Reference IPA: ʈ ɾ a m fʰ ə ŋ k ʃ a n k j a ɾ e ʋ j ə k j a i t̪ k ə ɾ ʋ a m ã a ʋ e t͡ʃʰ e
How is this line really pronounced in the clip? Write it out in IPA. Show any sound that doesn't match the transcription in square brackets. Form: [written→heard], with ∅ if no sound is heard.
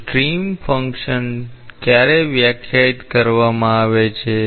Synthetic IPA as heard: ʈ ɾ [a→i] m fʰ ə ŋ k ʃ [a→ə] n k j a ɾ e ʋ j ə [k→kʰ] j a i t̪ k ə ɾ ʋ a m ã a ʋ e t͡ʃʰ e